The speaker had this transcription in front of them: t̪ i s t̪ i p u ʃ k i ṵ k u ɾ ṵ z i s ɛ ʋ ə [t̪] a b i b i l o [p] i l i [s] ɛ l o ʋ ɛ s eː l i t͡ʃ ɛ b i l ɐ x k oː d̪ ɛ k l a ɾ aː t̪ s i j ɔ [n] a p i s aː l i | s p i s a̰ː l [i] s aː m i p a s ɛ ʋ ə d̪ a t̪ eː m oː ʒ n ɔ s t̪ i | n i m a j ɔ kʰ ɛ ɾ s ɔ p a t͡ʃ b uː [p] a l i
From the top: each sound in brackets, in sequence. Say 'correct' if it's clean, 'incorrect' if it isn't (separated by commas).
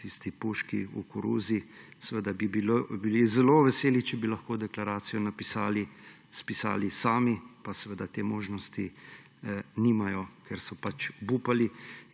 incorrect, incorrect, incorrect, correct, correct, correct